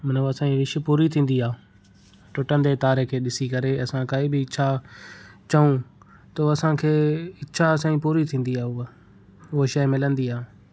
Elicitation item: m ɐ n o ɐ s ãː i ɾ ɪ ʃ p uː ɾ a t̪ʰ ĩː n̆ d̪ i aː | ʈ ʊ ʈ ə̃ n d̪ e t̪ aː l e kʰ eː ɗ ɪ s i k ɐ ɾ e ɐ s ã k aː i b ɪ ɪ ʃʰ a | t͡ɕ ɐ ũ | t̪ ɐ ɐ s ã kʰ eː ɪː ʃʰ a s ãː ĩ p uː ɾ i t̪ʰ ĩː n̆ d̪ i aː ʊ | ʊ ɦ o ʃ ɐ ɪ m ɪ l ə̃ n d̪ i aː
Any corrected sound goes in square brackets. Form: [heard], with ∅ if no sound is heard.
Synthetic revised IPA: m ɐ n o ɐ s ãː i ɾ ɪ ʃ p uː ɾ [i] t̪ʰ ĩː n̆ d̪ i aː | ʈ ʊ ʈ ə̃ n d̪ e t̪ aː [ɾ] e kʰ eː ɗ ɪ s i k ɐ ɾ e ɐ s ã k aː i b ɪ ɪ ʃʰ a | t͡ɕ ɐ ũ | t̪ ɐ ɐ s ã kʰ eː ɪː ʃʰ a s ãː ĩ p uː ɾ i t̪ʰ ĩː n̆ d̪ i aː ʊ | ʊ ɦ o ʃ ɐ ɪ m ɪ l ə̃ n d̪ i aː